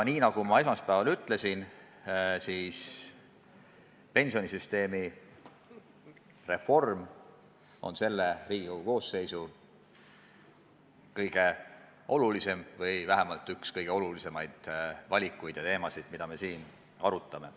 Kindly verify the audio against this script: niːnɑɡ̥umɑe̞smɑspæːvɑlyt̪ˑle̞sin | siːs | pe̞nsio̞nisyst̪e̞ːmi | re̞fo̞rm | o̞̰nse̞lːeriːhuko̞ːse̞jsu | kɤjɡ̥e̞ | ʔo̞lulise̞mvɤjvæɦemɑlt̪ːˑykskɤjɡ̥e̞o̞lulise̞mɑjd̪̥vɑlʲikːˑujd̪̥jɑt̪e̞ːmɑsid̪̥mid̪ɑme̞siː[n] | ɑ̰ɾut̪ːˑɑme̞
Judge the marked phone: correct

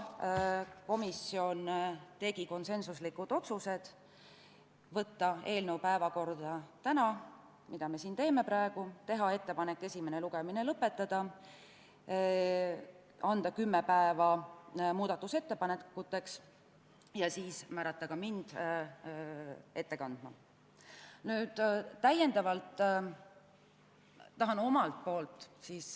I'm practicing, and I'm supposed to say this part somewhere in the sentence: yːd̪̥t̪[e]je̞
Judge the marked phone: incorrect: æ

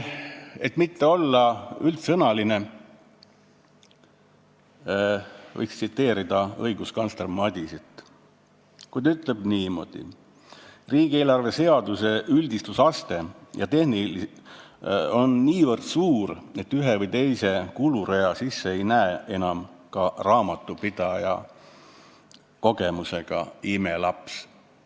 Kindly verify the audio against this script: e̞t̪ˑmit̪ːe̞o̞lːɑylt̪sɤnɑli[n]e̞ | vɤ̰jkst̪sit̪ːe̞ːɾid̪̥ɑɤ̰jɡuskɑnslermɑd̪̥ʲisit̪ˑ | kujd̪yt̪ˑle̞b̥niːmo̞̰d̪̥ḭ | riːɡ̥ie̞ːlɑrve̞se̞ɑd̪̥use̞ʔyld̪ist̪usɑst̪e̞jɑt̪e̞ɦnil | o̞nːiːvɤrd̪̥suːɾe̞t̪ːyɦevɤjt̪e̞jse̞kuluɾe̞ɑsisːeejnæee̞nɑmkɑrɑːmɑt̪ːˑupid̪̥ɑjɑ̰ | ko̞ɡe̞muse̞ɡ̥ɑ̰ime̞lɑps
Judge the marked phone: correct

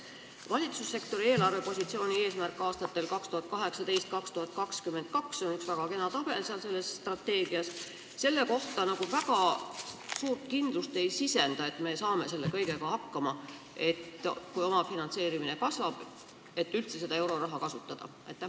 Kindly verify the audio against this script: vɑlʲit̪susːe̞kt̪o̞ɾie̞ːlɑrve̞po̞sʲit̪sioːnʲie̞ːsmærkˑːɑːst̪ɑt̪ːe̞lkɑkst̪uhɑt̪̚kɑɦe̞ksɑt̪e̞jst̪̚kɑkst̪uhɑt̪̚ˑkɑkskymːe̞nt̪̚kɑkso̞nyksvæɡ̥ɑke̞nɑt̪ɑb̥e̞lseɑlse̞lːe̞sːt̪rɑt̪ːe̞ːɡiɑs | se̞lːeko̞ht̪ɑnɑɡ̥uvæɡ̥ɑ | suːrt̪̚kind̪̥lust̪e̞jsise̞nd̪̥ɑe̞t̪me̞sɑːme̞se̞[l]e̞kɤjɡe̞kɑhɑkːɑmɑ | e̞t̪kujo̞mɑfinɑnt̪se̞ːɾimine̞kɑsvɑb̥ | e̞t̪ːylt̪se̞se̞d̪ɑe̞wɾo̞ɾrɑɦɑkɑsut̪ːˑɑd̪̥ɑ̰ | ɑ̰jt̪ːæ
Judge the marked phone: incorrect: lː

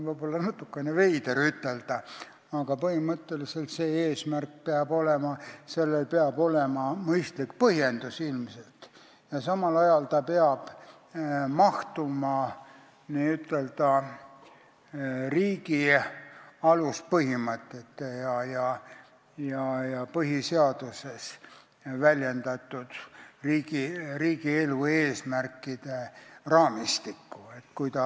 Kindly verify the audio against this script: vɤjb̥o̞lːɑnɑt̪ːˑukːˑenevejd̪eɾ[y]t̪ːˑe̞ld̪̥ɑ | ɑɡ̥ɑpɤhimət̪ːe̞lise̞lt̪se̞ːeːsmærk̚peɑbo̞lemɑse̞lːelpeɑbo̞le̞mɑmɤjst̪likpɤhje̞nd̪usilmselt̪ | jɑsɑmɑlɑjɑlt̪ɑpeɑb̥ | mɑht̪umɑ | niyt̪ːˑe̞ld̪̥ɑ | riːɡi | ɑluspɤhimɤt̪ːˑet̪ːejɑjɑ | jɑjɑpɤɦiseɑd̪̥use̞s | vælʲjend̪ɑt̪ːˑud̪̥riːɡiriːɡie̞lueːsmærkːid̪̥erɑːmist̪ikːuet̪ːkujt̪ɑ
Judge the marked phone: correct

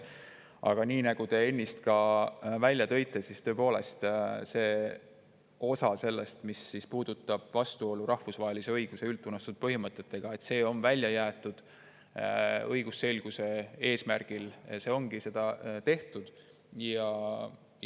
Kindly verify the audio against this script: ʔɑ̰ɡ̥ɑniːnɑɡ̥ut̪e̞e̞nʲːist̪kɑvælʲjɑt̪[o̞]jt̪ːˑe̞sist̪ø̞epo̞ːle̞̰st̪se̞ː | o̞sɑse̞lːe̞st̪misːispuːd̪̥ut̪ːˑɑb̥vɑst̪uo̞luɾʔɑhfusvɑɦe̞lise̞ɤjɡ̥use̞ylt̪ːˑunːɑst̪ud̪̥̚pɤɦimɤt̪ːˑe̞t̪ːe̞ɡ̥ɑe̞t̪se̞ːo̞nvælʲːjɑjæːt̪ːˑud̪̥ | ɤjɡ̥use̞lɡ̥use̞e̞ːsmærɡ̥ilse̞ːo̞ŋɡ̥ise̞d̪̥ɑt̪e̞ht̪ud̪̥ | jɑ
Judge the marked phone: incorrect: ɤ̞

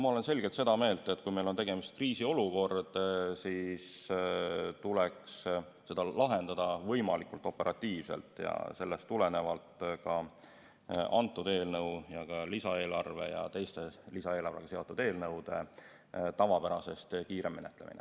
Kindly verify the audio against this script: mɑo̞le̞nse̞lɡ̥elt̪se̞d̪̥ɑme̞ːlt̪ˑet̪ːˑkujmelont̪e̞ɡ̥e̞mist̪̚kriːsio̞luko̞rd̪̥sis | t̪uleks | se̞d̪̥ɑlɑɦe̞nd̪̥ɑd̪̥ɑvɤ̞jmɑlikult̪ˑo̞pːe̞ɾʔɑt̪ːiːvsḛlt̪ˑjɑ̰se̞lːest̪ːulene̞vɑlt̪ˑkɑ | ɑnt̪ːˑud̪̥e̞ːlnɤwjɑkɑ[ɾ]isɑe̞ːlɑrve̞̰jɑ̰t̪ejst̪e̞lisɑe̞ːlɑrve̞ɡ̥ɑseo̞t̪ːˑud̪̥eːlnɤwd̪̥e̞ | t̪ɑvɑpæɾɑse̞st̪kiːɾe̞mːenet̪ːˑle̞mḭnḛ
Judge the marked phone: incorrect: l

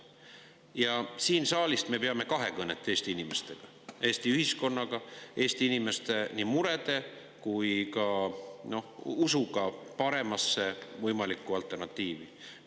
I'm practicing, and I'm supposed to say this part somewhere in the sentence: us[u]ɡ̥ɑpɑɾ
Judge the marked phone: correct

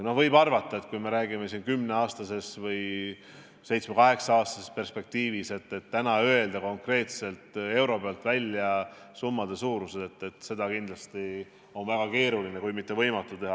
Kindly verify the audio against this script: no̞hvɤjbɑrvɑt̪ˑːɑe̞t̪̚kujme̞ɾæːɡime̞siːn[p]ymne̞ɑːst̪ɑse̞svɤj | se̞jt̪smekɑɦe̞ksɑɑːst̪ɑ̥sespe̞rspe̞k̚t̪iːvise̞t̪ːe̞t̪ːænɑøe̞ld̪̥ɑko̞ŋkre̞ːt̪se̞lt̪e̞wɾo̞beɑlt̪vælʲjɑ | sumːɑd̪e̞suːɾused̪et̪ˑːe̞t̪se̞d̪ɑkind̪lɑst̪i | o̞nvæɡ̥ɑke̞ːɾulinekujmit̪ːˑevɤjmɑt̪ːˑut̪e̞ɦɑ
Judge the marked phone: incorrect: k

